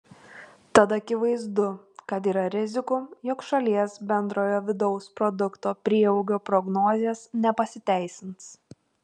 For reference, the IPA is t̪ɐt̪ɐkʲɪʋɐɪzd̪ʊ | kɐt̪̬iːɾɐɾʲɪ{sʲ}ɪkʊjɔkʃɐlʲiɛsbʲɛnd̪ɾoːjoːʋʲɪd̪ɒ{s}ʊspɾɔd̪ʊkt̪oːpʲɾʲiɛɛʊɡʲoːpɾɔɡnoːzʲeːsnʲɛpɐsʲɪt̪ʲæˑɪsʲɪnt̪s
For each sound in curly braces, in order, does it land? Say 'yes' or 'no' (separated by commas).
no, no